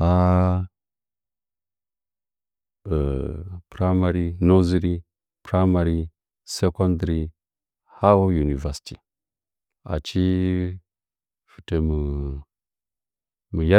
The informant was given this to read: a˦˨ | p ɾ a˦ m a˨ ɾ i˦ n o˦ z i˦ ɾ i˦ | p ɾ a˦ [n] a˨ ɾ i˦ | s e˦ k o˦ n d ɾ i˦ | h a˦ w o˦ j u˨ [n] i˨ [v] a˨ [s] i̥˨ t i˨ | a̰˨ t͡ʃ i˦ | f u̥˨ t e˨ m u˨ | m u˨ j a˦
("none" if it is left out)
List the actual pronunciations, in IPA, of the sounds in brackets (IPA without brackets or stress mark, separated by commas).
m, n, v, s